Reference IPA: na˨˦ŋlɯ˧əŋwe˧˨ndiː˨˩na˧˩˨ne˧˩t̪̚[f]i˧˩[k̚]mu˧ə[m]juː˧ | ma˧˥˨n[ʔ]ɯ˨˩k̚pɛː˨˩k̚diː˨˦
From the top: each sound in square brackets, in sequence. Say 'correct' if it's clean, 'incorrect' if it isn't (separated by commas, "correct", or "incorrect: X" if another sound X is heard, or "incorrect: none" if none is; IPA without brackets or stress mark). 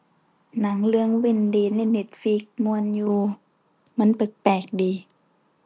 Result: correct, correct, incorrect: n, incorrect: p